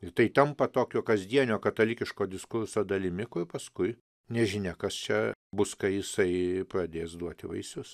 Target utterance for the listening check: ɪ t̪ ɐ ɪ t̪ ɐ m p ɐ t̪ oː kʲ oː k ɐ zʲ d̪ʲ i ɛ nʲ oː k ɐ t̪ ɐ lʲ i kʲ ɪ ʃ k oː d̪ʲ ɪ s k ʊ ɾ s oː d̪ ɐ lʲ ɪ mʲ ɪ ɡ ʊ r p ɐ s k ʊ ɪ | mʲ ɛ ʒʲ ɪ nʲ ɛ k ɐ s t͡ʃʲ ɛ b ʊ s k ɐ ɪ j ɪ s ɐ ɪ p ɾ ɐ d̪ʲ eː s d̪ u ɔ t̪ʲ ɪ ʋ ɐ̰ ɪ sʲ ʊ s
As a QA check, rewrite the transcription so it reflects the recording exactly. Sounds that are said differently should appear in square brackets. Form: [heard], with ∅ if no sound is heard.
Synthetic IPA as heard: ɪ t̪ ɐ ɪ t̪ ɐ m p ɐ t̪ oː kʲ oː k ɐ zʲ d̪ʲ i ɛ nʲ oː k ɐ t̪ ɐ lʲ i kʲ ɪ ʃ k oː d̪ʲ ɪ s k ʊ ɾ s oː d̪ ɐ lʲ ɪ mʲ ɪ [k] ʊ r p ɐ s k ʊ ɪ | [nʲ] ɛ ʒʲ ɪ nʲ ɛ k ɐ s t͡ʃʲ ɛ b ʊ s k ɐ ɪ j ɪ s ɐ ɪ p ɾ ɐ d̪ʲ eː s d̪ u ɔ t̪ʲ ɪ ʋ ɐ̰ ɪ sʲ ʊ s